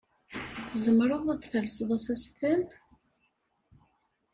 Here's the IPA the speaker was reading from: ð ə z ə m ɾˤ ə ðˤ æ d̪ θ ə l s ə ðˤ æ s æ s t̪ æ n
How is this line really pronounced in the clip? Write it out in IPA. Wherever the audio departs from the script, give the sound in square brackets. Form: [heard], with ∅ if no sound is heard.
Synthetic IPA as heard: [θ] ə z ə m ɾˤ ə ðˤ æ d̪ θ ə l s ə ðˤ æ s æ s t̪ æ n